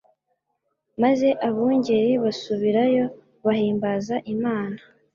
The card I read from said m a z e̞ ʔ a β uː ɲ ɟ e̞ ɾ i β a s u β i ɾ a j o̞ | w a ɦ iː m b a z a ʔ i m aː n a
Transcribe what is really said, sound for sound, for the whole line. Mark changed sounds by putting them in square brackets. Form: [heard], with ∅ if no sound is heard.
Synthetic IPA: m a z e̞ ʔ a β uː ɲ ɟ e̞ ɾ i β a s u β i ɾ a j o̞ | [β] a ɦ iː m b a z a ʔ i m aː n a